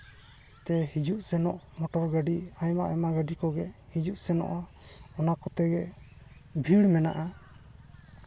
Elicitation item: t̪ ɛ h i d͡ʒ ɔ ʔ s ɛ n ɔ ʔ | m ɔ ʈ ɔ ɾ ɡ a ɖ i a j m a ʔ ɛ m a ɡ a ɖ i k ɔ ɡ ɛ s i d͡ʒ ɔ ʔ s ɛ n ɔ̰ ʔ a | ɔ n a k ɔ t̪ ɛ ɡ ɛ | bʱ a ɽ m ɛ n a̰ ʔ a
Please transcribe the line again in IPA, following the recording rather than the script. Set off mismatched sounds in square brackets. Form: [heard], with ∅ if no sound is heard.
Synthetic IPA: t̪ ɛ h i d͡ʒ [u] ʔ s ɛ n ɔ ʔ | m ɔ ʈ ɔ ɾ ɡ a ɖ i a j m a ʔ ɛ m a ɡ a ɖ i k ɔ ɡ ɛ [h] i d͡ʒ [u] ʔ s ɛ n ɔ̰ ʔ a | ɔ n a k ɔ t̪ ɛ ɡ ɛ | bʱ [i] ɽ m ɛ n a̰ ʔ a